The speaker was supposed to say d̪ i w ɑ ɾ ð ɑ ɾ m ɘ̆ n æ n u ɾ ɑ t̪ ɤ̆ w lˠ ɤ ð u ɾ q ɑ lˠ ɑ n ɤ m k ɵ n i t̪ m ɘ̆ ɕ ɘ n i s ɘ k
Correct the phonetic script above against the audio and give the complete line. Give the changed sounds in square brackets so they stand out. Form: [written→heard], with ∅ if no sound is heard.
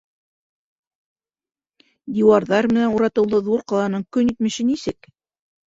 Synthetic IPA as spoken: d̪ i w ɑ ɾ ð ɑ ɾ m ɘ̆ n æ n u ɾ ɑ t̪ ɤ̆ w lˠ ɤ ð u ɾ q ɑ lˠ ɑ n ɤ [m→ɴ] k ɵ n i t̪ m ɘ̆ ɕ ɘ n i s ɘ k